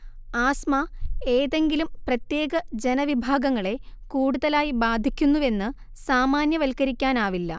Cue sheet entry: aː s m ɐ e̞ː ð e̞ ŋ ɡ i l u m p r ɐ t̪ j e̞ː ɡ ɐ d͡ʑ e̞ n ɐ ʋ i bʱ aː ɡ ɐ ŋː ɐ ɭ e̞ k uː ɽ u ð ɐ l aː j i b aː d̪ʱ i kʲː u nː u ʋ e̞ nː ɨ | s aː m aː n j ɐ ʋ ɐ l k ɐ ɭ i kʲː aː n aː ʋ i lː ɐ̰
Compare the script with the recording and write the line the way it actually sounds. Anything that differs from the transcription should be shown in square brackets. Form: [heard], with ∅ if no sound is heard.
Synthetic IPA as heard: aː s m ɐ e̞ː ð e̞ ŋ ɡ i l u m p r ɐ t̪ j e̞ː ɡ ɐ d͡ʑ e̞ n ɐ ʋ i bʱ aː ɡ ɐ ŋː ɐ ɭ e̞ k uː ɽ u ð ɐ l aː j i b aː d̪ʱ i kʲː u nː u ʋ e̞ nː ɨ | s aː m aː n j ɐ ʋ ɐ l k ɐ [ɾ] i kʲː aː n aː ʋ i lː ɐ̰